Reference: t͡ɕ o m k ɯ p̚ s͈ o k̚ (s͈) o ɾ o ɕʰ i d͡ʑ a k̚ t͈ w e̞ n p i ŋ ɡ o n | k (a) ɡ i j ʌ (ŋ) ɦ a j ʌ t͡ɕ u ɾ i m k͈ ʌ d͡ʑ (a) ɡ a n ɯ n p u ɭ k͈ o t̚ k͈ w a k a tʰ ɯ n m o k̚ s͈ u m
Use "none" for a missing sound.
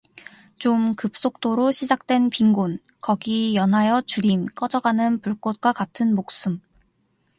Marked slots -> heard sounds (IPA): t͈, ʌ, n, ʌ

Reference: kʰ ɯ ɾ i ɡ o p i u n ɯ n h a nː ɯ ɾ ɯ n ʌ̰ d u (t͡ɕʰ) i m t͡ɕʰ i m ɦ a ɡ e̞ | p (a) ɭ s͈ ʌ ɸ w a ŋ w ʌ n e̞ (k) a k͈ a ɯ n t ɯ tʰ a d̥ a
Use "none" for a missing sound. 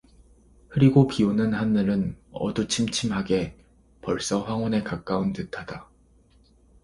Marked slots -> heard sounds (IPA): t͡ɕʰ, ʌ, k

